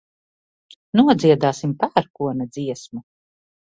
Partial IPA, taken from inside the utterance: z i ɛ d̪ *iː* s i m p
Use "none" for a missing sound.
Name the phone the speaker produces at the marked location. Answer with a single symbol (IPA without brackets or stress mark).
aː